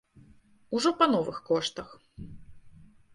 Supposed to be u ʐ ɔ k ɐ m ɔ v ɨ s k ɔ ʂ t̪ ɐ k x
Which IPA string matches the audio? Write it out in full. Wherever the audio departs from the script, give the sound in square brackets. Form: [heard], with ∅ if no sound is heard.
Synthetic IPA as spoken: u ʐ ɔ [p] ɐ [n] ɔ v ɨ [x] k ɔ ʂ t̪ ɐ [∅] x